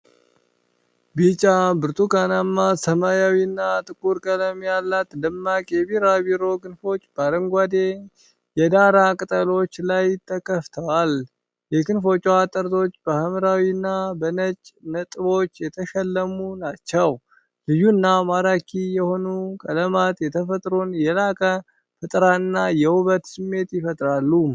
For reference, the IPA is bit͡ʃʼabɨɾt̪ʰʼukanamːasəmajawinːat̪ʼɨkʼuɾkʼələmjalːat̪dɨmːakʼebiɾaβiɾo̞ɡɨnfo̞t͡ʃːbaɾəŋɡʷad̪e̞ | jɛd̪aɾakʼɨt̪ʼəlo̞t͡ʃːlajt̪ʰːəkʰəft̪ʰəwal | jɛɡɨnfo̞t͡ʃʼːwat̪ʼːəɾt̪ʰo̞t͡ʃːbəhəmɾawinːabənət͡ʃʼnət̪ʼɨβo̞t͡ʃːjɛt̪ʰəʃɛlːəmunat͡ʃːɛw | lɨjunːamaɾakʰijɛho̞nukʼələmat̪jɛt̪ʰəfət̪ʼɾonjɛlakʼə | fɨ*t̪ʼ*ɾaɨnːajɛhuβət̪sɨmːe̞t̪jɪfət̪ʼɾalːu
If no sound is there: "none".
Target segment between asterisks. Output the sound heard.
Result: t̪ʼ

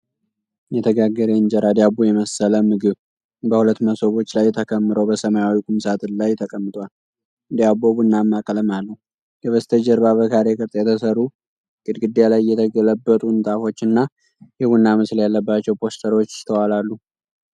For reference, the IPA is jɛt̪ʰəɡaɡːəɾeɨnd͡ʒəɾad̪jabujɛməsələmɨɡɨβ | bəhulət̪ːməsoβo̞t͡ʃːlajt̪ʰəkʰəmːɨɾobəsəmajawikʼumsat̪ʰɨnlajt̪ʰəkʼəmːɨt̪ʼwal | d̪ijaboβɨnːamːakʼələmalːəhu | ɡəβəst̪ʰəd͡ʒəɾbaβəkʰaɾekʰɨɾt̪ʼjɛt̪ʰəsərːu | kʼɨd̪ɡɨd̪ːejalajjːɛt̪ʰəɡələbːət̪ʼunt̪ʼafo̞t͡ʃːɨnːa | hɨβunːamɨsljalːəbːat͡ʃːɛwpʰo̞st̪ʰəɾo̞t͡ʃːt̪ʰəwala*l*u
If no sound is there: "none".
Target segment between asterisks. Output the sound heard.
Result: lː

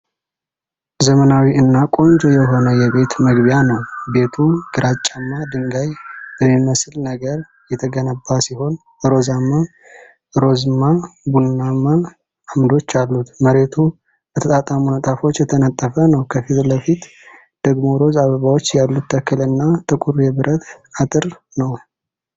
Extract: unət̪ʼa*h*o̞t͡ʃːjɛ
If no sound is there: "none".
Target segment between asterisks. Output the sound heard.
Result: f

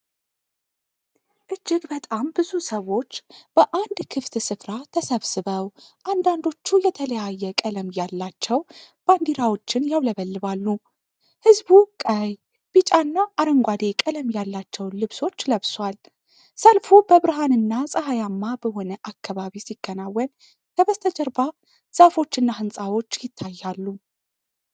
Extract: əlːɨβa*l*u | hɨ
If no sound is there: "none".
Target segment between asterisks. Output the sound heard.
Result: lː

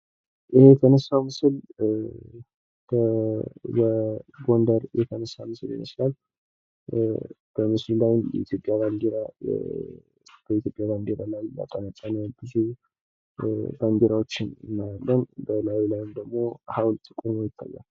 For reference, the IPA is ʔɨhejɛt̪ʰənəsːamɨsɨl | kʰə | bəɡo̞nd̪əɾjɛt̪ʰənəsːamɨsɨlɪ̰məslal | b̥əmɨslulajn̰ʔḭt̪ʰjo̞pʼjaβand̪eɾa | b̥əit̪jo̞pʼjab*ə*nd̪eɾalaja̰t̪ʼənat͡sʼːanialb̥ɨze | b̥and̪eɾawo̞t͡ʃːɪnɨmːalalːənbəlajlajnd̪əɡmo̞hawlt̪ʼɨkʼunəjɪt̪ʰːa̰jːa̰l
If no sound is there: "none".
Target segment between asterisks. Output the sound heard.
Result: a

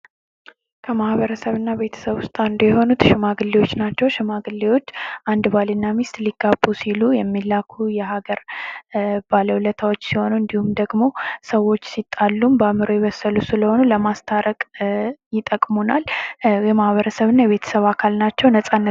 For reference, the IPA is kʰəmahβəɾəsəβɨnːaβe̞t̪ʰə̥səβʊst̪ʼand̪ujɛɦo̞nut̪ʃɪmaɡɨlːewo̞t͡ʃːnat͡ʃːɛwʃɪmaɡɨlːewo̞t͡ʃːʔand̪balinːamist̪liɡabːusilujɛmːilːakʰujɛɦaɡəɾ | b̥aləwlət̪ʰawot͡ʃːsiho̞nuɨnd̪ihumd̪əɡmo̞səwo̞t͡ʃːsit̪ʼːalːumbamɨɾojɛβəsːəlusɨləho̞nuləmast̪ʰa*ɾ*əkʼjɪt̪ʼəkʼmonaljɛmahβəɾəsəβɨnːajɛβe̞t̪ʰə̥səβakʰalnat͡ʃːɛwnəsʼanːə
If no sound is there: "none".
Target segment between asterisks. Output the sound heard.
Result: ɾ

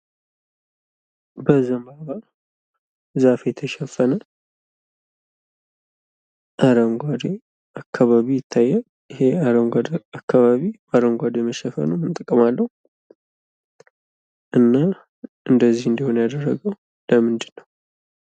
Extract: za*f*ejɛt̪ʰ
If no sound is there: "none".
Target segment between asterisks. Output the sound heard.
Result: f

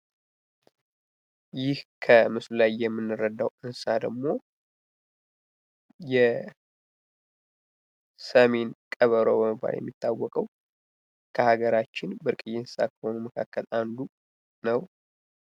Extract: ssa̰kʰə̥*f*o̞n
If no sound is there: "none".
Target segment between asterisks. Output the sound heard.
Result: h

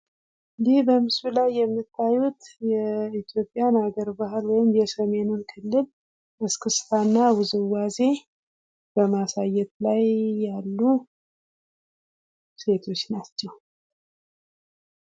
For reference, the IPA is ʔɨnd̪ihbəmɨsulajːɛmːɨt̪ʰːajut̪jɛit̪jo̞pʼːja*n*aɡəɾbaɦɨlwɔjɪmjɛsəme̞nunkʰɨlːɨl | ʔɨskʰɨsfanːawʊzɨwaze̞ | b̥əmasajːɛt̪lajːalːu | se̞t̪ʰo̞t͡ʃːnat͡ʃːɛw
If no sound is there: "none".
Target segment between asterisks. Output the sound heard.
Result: n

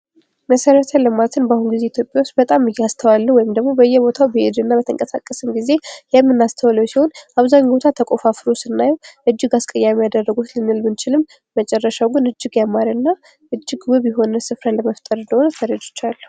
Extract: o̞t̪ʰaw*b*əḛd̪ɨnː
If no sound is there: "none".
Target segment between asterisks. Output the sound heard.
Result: b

